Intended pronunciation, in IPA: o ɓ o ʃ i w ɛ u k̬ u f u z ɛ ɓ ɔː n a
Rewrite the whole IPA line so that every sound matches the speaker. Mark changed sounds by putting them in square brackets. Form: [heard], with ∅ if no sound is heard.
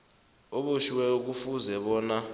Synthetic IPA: o ɓ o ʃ i w ɛ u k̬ u f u z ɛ ɓ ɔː n a